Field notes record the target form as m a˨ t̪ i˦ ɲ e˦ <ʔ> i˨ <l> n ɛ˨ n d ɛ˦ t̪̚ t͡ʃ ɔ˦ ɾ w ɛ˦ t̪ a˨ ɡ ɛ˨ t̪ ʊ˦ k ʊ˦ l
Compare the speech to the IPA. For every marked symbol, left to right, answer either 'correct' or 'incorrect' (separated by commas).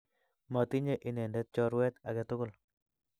correct, incorrect